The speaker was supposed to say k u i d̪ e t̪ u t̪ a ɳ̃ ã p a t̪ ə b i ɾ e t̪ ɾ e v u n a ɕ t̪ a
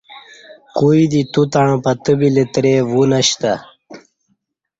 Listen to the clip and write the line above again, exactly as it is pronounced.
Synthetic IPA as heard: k u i d̪ i t̪ u t̪ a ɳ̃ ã p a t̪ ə b i l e t̪ ɾ e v u n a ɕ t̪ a